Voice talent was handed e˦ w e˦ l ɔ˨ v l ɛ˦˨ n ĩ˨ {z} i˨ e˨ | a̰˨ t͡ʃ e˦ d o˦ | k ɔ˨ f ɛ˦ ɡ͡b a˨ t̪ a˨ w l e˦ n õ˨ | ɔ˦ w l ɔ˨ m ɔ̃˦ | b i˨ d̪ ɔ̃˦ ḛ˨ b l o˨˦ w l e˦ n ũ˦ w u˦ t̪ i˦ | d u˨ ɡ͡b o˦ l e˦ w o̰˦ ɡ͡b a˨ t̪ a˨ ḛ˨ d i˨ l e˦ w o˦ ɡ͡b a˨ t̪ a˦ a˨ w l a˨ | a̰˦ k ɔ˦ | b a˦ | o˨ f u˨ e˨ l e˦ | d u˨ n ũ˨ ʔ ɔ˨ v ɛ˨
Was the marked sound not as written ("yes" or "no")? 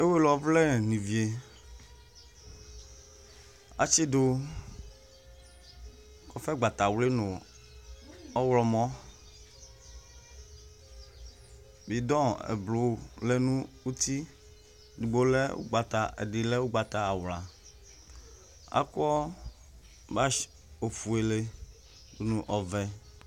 yes